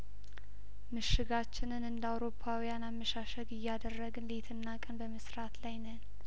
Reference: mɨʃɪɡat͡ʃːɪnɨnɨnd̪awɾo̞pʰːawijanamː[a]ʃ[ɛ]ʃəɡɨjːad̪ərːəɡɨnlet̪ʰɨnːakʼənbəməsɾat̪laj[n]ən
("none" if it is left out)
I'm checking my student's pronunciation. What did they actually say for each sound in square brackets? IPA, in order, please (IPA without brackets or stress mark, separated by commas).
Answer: ə, a, n